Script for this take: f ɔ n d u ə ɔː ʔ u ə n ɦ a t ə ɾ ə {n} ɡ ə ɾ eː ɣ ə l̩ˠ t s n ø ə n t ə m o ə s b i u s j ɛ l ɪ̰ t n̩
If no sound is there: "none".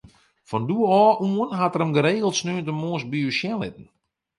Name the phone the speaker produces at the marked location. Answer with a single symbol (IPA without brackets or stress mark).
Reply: m